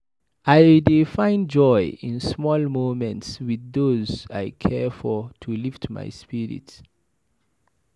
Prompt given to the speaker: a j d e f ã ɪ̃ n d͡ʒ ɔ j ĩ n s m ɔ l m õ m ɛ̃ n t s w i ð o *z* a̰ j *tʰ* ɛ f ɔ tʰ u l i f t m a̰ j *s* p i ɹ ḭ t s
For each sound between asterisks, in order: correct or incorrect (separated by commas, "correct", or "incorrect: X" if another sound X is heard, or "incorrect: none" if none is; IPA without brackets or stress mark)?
correct, incorrect: kʰ, correct